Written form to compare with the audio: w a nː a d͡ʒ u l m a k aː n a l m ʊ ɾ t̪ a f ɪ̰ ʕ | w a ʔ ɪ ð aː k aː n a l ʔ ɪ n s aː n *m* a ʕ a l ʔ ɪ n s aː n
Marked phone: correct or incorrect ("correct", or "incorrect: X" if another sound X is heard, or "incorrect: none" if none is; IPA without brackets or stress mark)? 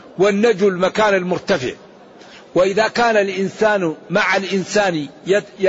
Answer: correct